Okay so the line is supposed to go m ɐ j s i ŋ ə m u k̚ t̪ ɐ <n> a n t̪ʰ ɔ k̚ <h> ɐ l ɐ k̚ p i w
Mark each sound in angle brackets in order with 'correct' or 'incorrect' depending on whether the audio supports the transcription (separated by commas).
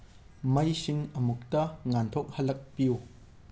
incorrect, correct